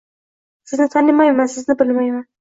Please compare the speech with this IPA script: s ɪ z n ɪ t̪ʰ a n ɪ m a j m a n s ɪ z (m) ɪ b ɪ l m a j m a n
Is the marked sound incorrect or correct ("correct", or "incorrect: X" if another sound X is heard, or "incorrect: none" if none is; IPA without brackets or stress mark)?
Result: incorrect: n